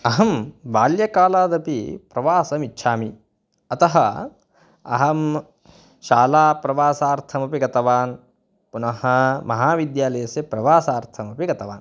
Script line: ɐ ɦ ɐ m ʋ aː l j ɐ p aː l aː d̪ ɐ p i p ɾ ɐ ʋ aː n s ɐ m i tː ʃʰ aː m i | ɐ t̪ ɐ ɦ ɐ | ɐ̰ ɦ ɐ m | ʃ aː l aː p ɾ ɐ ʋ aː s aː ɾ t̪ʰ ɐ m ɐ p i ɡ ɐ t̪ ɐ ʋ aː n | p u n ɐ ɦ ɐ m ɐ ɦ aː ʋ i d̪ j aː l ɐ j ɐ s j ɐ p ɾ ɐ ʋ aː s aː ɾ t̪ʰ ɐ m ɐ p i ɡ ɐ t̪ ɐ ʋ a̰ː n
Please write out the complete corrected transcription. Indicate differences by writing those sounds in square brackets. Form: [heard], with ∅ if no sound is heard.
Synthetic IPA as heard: ɐ ɦ ɐ m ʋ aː l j ɐ [k] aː l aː d̪ ɐ p i p ɾ ɐ ʋ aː [∅] s ɐ m i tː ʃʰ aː m i | ɐ t̪ ɐ ɦ ɐ | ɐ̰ ɦ ɐ m | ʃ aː l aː p ɾ ɐ ʋ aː s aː ɾ t̪ʰ ɐ m ɐ p i ɡ ɐ t̪ ɐ ʋ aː n | p u n ɐ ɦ ɐ m ɐ ɦ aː ʋ i d̪ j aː l ɐ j ɐ s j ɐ p ɾ ɐ ʋ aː s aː ɾ t̪ʰ ɐ m ɐ p i ɡ ɐ t̪ ɐ ʋ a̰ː n